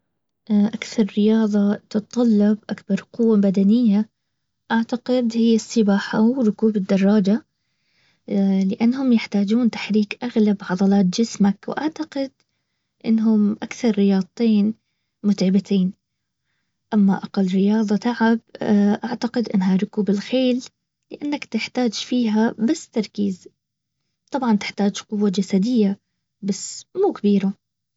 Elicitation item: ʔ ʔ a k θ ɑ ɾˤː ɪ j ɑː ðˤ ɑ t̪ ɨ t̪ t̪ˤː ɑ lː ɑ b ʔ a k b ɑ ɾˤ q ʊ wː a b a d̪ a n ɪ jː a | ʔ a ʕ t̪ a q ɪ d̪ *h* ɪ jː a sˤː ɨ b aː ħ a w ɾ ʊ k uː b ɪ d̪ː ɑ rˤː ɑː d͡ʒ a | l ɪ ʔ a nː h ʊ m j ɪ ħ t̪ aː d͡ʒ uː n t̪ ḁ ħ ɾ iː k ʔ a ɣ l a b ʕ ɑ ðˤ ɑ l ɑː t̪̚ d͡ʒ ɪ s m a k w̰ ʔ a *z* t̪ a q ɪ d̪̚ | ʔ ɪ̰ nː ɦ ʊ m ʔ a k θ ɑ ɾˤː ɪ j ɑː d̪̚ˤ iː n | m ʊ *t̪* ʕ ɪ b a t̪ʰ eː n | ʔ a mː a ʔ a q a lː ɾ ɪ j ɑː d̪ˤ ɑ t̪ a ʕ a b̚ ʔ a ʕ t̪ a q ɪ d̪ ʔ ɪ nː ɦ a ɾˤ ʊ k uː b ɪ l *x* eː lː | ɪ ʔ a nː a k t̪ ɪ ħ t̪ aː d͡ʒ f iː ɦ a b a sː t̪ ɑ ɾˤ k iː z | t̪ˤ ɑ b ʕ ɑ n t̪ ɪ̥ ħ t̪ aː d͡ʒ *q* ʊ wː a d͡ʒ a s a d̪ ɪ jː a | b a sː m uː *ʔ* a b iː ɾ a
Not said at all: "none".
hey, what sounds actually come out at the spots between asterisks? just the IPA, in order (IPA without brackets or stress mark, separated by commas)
h, ʕ, t̪, x, q, k